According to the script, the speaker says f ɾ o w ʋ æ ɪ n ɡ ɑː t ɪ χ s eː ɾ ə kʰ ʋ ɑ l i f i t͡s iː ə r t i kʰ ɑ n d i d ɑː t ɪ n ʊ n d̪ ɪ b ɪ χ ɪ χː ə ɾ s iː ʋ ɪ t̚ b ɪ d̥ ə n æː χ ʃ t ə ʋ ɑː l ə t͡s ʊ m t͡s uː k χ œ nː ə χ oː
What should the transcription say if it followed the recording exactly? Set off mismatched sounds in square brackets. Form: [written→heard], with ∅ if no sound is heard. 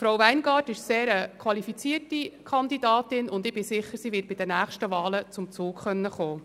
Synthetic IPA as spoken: f ɾ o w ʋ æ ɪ n ɡ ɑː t ɪ [χ→ʃ] s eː ɾ ə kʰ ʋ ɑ l i f i t͡s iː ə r t i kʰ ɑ n d i d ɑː t ɪ n ʊ n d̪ ɪ b ɪ [χ→s] ɪ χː ə ɾ s iː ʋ ɪ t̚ b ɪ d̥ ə n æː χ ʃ t ə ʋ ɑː l ə t͡s ʊ m t͡s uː k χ œ nː ə χ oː